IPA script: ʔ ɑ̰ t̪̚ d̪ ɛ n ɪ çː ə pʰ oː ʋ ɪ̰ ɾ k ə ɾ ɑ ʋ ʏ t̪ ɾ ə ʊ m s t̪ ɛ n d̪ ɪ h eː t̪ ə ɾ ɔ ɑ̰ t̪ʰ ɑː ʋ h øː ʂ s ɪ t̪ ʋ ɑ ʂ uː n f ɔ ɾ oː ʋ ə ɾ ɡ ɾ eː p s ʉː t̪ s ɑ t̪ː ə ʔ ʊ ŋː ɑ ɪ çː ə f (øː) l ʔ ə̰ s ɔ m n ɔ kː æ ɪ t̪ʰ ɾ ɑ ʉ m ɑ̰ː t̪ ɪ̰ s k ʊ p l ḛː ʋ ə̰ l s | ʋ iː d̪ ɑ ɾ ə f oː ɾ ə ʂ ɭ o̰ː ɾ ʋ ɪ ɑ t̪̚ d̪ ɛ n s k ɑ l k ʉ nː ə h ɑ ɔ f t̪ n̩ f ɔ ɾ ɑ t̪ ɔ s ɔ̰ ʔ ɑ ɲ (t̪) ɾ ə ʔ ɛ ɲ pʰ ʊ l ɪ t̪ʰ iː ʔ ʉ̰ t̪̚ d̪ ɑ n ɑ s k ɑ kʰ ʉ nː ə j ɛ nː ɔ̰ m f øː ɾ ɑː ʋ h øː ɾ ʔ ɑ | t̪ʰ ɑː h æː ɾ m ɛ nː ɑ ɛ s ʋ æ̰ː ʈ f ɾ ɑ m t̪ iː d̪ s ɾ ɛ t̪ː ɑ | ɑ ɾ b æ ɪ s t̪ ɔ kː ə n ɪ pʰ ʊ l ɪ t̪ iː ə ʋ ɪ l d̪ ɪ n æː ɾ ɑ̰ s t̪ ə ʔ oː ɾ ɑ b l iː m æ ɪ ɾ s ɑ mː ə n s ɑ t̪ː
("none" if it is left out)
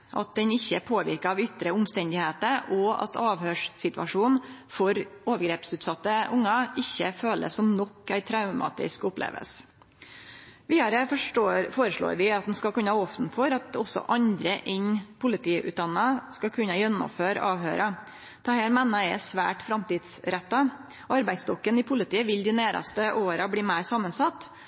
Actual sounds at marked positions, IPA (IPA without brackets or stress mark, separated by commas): øː, d̪